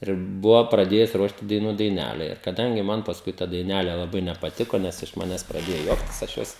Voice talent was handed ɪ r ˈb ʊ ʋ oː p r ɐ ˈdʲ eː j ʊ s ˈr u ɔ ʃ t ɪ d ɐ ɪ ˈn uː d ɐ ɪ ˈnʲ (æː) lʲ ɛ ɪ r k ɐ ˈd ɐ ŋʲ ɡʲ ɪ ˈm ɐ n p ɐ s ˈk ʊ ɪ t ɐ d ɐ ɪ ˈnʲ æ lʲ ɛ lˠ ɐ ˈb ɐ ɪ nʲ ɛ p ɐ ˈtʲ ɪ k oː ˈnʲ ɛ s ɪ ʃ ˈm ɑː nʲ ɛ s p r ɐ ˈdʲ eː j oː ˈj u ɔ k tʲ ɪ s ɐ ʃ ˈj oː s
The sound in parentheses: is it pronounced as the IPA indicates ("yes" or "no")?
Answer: yes